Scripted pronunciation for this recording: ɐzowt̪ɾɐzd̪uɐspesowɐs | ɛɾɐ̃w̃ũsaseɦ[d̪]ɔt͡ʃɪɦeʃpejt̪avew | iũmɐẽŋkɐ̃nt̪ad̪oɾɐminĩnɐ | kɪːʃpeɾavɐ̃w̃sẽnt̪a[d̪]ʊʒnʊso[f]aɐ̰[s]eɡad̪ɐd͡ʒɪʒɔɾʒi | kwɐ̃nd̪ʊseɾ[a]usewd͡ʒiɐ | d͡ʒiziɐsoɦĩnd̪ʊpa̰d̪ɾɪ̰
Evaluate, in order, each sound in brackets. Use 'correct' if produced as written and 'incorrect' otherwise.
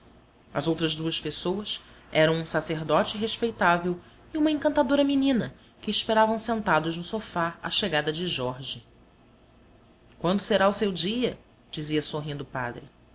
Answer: correct, correct, correct, incorrect: ʃ, correct

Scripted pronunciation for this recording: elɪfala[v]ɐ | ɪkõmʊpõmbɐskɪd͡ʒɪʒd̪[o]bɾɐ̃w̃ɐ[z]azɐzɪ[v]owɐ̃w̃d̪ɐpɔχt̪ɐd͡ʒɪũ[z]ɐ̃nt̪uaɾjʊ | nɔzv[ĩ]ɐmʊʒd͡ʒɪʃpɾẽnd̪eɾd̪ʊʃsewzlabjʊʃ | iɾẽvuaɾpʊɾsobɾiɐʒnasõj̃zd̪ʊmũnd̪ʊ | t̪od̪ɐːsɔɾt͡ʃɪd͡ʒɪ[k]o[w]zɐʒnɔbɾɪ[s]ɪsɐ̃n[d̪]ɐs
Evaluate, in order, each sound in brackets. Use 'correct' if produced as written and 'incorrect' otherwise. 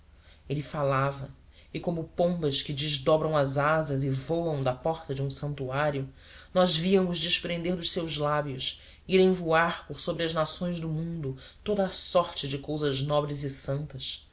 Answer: correct, incorrect: ɔ, correct, correct, incorrect: s, incorrect: i, correct, correct, incorrect: z, incorrect: t̪

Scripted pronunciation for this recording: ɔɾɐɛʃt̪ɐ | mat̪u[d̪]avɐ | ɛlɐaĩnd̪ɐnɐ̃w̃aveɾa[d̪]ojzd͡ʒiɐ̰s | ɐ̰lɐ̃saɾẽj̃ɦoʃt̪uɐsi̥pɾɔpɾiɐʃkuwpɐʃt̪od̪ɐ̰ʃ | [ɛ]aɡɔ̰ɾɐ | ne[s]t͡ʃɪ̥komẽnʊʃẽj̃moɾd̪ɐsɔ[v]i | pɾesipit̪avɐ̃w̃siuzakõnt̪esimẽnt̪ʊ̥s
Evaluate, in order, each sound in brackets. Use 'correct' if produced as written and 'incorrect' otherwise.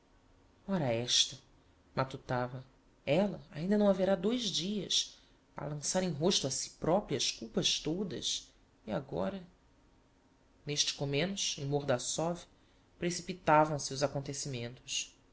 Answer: incorrect: t̪, correct, incorrect: i, incorrect: ʃ, correct

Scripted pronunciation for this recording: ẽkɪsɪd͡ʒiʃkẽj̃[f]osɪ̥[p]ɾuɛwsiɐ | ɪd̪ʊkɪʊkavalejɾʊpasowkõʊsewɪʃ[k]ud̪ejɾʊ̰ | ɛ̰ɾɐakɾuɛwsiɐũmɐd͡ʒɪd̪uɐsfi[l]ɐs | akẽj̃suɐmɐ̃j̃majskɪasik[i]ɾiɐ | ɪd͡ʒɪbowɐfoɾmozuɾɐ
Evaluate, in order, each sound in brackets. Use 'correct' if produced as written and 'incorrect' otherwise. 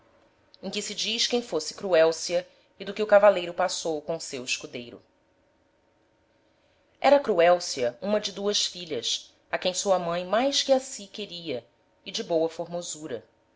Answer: correct, incorrect: k, correct, incorrect: ʎ, incorrect: e

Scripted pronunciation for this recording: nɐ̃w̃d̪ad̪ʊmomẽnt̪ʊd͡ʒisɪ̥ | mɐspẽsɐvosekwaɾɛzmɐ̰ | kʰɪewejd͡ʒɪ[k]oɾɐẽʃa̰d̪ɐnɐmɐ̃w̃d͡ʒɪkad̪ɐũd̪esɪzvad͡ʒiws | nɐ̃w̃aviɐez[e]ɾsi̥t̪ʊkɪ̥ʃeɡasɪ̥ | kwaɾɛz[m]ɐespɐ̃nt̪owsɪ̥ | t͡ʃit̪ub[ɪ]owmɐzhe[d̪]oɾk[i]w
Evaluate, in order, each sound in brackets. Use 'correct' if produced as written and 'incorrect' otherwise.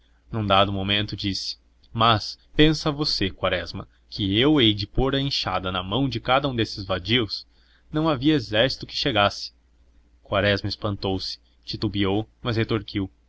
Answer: incorrect: p, incorrect: ɛ, correct, incorrect: i, incorrect: t̪, correct

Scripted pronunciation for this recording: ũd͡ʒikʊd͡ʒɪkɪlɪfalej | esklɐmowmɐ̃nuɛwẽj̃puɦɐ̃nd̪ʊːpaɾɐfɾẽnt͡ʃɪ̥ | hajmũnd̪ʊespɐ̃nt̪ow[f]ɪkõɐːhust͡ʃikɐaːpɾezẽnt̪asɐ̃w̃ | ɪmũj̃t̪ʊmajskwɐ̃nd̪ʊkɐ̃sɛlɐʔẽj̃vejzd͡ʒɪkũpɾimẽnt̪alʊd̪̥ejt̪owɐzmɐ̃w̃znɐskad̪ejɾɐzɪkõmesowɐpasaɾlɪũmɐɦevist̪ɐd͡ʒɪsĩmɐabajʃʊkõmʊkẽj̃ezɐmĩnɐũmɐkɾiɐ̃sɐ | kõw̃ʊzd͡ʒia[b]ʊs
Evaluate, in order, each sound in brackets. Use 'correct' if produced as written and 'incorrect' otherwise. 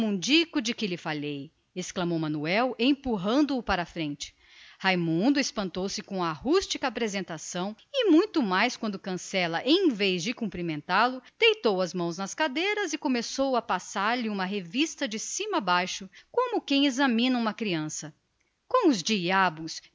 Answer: incorrect: s, correct

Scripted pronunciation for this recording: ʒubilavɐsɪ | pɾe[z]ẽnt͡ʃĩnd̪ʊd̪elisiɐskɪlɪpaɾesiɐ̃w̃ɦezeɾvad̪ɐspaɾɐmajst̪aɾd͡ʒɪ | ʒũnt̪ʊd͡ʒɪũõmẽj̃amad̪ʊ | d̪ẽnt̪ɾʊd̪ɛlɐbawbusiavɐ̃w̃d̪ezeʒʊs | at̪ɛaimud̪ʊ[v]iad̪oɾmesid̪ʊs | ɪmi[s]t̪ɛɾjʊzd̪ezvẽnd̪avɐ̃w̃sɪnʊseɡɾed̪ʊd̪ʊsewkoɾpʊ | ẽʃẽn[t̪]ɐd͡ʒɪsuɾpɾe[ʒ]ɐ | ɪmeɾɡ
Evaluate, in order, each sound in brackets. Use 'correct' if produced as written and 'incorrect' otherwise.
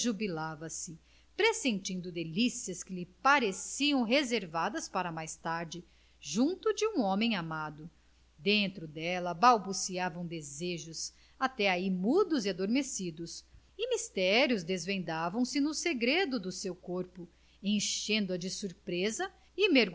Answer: incorrect: s, incorrect: z, correct, incorrect: d̪, incorrect: z

